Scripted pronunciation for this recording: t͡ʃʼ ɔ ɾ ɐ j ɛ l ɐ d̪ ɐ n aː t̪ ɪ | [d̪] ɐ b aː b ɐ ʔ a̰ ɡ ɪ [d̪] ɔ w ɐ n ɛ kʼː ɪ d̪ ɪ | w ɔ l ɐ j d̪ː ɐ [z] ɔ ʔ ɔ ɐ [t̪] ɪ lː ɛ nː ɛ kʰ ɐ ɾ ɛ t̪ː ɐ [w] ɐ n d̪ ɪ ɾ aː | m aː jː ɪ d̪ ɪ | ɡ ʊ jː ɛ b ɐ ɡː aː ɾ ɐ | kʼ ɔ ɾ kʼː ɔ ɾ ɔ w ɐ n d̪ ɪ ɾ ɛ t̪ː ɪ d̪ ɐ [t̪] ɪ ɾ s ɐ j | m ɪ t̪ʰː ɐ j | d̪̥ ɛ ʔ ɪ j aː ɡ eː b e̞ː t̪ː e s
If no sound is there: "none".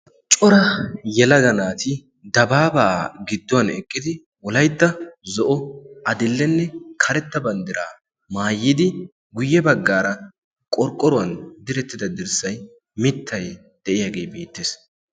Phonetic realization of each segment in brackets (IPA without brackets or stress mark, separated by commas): d̪, d̪ː, z, d̪, b, d̪